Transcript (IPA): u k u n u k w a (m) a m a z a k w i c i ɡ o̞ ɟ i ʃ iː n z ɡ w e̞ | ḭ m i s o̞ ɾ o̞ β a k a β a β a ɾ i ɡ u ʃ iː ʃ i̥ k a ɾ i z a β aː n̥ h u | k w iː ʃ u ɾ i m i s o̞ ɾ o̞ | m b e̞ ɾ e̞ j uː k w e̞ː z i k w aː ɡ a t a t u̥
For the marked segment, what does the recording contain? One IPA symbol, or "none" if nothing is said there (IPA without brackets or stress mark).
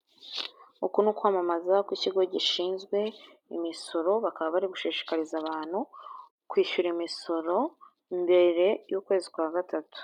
m